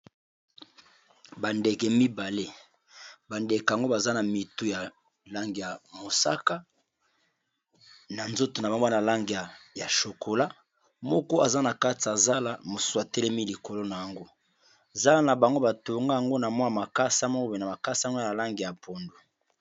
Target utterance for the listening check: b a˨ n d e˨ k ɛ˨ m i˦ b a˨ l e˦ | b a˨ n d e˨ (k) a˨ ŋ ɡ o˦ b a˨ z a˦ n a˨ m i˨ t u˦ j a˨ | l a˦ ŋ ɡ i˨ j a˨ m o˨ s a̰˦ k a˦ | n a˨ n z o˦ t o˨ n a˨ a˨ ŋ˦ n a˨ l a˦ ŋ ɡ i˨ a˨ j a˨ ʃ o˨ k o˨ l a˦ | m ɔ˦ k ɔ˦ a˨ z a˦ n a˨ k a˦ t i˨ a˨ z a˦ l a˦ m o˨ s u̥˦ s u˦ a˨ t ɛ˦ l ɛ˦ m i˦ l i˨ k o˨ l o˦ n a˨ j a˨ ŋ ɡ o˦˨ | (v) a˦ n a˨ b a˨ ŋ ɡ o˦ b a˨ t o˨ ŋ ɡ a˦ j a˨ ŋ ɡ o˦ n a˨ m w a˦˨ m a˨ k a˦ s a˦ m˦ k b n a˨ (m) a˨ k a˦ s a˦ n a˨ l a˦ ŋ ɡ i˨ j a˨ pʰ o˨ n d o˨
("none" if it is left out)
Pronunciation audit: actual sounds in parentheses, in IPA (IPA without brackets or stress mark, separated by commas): k, z, m